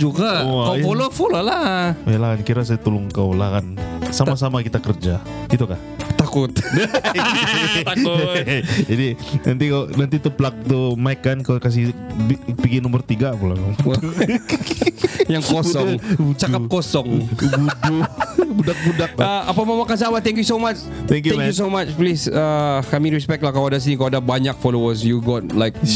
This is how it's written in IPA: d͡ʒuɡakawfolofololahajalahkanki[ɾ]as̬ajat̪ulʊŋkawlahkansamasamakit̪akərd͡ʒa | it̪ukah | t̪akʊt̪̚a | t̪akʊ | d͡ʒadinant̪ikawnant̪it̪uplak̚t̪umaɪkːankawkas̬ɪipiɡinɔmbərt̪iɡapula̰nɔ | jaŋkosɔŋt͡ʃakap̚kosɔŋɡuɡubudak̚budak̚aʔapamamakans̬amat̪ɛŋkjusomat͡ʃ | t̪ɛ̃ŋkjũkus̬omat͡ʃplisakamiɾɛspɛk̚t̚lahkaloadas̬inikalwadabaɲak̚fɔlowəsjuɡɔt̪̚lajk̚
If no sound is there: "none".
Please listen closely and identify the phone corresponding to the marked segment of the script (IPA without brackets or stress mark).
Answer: ɾ